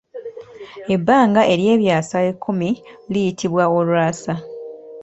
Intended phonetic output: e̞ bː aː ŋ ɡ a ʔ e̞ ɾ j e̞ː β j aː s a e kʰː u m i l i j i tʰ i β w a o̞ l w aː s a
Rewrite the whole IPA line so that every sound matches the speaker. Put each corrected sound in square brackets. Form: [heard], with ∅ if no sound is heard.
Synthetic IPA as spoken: e̞ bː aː ŋ ɡ a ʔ e̞ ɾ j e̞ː β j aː s a e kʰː u m i l i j i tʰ i β w a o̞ l w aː s a